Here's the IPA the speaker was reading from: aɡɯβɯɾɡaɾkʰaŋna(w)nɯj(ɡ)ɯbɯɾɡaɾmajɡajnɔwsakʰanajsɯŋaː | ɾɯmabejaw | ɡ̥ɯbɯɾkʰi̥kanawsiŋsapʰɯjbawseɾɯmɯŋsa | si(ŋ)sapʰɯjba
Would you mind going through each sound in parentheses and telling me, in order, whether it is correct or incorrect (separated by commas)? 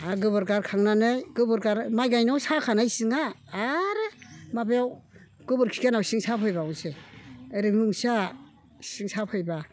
incorrect, correct, correct